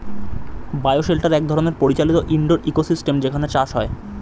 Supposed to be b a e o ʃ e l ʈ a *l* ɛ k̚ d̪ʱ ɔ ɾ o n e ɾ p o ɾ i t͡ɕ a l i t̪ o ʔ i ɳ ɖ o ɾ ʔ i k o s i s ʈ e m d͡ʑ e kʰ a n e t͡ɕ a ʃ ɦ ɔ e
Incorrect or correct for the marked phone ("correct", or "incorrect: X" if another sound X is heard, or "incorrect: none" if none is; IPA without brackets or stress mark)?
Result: incorrect: ɾ